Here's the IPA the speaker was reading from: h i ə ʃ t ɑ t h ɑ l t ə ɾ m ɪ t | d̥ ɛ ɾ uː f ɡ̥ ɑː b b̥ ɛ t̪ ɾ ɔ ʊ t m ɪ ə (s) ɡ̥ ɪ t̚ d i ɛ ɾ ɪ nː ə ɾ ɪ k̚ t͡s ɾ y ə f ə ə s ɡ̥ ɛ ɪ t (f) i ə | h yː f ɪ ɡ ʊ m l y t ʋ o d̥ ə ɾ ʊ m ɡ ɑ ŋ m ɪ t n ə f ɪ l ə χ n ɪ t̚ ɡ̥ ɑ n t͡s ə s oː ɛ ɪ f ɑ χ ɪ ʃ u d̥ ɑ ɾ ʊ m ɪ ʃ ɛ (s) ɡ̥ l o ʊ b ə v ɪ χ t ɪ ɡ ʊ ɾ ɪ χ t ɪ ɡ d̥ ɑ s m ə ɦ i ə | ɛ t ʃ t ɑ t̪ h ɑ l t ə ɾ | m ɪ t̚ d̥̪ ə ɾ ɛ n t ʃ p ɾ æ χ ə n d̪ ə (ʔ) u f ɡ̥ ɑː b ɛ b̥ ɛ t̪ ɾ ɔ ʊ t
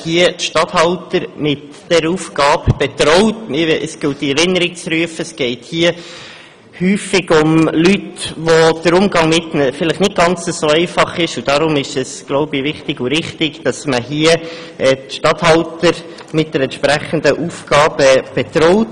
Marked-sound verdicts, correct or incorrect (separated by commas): correct, incorrect, correct, correct